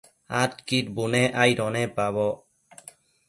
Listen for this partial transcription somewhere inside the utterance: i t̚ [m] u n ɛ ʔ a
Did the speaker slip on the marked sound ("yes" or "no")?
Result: yes